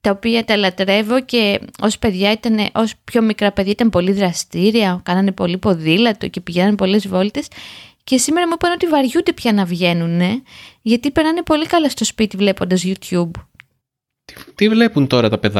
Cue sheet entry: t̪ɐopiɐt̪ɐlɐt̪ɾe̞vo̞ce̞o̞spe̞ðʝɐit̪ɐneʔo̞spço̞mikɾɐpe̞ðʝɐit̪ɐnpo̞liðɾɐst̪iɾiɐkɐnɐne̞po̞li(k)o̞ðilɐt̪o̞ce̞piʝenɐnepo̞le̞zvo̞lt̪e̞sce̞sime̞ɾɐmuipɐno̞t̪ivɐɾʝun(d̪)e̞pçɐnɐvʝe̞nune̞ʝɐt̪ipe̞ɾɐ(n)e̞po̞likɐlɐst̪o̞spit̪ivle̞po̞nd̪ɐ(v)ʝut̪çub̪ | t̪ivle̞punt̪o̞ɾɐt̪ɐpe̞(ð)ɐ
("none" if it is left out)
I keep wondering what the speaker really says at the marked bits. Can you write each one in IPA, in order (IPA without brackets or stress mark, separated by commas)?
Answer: p, d̪, n, z, ð